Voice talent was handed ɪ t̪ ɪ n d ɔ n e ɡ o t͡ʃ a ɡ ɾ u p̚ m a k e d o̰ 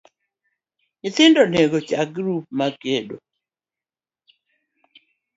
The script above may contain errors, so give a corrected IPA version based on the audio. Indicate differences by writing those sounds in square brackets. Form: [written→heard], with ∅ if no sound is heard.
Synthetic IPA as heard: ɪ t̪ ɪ n d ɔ n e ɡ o t͡ʃ a ɡ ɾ u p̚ m a k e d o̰